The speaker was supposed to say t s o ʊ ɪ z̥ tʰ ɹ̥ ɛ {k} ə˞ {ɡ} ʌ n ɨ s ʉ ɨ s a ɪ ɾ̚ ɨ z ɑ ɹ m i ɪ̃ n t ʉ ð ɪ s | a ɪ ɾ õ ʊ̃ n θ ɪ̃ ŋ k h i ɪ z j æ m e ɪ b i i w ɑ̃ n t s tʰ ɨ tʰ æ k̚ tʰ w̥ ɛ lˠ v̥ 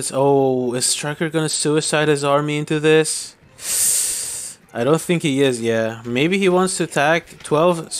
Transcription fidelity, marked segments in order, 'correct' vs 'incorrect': correct, correct

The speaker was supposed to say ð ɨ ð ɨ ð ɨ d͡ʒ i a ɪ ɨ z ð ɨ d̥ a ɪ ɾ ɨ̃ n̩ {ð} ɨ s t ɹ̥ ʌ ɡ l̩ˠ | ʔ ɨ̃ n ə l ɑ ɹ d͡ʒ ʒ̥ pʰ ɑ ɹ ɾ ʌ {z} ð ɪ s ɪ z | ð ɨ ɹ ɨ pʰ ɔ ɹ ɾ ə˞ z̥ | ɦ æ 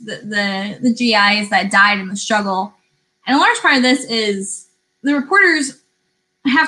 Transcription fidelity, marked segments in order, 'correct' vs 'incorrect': correct, incorrect: v

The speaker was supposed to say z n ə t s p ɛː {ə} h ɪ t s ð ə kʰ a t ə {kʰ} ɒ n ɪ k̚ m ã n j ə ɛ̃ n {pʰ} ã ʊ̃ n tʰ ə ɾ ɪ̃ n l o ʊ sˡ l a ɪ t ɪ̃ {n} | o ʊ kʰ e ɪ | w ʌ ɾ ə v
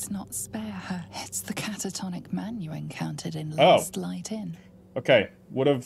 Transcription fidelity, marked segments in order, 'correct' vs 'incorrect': correct, incorrect: tʰ, incorrect: kʰ, correct

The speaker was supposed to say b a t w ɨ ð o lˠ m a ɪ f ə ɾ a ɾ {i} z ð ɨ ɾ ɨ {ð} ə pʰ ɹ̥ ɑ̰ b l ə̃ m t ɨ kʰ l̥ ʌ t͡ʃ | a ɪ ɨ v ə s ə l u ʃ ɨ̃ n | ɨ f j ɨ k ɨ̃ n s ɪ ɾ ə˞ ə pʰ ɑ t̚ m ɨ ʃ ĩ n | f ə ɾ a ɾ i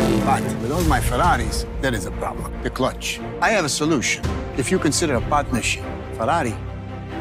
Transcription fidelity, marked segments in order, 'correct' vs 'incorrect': correct, incorrect: z

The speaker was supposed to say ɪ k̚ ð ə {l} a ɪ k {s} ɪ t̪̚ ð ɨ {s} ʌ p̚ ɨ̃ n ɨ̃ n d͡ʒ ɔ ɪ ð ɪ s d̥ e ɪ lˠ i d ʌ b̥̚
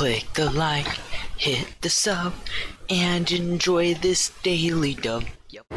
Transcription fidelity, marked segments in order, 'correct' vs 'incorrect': correct, incorrect: h, correct

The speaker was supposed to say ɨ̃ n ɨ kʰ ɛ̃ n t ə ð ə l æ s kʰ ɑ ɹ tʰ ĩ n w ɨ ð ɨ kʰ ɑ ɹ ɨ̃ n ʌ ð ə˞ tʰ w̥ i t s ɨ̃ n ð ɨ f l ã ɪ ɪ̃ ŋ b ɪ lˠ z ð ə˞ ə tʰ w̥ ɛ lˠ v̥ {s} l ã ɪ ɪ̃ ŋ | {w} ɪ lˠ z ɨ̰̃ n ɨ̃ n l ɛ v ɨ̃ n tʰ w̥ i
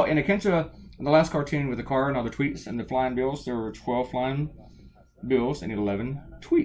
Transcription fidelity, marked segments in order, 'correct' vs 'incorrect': incorrect: f, incorrect: b

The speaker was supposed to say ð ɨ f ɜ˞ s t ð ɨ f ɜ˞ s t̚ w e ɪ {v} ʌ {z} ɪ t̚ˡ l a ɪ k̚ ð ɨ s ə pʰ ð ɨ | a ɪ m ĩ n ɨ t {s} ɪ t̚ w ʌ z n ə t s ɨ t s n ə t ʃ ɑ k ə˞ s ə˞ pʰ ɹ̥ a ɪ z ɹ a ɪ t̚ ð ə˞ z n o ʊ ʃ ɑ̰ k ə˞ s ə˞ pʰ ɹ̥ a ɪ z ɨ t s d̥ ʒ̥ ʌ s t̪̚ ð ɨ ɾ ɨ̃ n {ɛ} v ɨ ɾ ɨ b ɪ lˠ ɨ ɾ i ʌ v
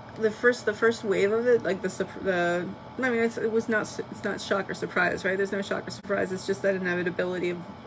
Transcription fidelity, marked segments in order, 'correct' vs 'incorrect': correct, incorrect: v, correct, correct

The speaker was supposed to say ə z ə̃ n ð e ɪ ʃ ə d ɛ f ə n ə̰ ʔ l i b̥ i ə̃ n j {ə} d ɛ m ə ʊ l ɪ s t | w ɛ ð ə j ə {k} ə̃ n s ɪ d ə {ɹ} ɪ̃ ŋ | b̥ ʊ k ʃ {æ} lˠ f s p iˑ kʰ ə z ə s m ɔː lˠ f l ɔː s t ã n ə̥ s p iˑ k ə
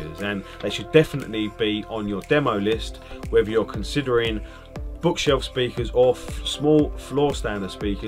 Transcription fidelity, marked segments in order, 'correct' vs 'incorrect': correct, incorrect: kʰ, correct, incorrect: ɛ

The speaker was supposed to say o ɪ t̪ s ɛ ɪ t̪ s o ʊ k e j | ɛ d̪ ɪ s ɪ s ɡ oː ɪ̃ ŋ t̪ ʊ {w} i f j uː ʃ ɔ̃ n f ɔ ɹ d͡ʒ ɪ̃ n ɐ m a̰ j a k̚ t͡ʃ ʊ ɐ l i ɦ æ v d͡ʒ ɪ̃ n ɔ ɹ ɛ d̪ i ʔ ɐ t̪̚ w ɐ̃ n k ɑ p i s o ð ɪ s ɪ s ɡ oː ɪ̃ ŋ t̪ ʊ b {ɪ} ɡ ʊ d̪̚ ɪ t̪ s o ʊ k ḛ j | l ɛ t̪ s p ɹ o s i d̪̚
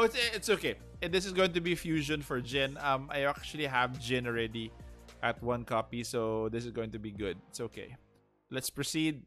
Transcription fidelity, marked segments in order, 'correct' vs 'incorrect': incorrect: b, incorrect: i

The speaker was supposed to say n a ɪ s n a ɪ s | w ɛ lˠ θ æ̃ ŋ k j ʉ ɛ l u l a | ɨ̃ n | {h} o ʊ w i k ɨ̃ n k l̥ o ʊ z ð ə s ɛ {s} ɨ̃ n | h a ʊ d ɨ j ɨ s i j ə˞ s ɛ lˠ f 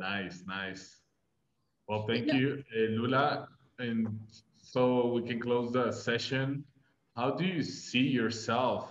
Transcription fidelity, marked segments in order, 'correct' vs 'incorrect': incorrect: s, incorrect: ʃ

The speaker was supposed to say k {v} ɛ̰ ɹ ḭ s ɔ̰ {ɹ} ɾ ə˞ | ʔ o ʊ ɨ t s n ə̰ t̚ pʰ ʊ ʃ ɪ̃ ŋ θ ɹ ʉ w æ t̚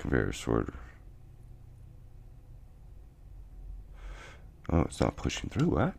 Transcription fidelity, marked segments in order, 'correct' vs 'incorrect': correct, correct

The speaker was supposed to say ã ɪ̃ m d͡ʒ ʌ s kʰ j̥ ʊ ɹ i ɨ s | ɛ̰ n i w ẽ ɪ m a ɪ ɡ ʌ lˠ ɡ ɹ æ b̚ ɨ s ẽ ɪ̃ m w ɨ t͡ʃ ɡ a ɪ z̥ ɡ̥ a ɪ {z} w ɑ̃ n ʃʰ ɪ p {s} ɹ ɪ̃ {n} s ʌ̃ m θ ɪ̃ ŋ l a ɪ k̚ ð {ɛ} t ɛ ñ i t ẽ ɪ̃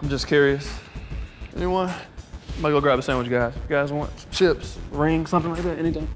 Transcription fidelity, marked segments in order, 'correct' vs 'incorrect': correct, correct, incorrect: ŋ, incorrect: æ

